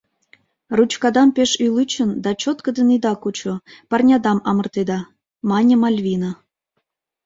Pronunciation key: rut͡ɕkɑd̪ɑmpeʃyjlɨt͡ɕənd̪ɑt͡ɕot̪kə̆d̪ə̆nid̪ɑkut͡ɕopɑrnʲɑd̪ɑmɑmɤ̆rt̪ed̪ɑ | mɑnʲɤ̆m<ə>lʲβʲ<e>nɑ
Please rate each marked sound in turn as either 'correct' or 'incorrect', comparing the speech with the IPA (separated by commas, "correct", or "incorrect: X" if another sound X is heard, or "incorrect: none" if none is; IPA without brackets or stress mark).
incorrect: ɑ, incorrect: i